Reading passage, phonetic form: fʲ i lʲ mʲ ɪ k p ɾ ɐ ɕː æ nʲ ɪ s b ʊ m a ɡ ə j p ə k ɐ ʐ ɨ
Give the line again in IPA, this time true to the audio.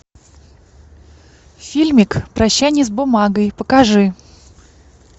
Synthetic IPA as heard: fʲ i lʲ mʲ ɪ k p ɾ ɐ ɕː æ nʲ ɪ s b ʊ m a ɡ ə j p ə k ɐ ʐ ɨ